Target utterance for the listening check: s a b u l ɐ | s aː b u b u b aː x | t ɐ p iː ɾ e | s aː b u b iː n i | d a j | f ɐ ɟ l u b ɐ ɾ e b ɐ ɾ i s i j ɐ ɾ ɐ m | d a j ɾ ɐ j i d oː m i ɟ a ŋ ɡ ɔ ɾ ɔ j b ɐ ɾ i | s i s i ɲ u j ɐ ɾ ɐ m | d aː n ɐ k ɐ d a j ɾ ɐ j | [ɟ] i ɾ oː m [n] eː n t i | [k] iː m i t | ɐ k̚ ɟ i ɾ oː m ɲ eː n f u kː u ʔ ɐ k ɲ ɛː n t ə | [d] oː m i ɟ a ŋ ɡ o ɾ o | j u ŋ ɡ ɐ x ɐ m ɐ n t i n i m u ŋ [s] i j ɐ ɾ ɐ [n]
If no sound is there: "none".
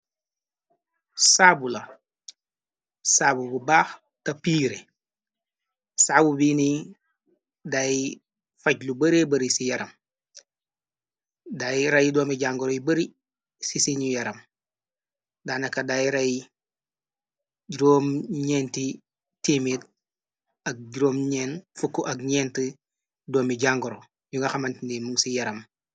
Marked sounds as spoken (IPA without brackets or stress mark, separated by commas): ɟ, ɲ, t, d, s, m